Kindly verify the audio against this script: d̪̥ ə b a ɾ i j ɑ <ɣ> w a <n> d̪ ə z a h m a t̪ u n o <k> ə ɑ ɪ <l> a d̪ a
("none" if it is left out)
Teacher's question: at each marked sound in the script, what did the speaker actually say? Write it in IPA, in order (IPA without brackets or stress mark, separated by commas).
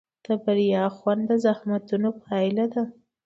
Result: x, n, p, l